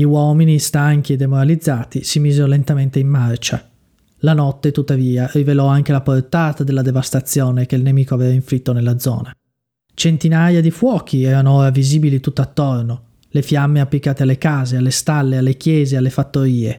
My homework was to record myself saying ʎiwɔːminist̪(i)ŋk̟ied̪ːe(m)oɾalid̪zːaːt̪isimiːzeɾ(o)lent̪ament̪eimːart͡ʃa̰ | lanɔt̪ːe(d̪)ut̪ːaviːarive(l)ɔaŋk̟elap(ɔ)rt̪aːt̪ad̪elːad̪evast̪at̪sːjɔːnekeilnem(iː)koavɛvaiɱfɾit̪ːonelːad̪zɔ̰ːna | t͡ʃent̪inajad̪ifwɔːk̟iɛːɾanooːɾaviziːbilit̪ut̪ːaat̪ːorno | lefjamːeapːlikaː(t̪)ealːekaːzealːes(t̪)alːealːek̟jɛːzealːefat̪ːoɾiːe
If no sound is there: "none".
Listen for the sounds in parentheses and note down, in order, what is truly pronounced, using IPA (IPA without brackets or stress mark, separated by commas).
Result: a, m, o, t̪, l, o, iː, t̪, t̪